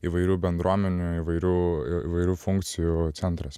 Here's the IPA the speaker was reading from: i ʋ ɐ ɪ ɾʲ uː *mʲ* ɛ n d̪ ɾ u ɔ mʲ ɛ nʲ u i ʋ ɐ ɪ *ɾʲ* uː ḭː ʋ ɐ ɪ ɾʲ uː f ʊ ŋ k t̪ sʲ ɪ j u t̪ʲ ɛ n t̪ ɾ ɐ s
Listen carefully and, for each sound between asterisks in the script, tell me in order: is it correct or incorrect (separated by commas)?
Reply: incorrect, correct